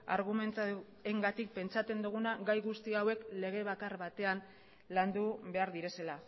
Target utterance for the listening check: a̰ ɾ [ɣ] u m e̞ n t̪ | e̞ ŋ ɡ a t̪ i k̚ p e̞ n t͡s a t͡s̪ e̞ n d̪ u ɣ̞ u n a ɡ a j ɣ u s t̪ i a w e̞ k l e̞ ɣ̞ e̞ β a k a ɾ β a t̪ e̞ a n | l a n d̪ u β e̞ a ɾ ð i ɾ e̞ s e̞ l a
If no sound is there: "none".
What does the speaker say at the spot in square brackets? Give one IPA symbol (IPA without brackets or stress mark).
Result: ɣ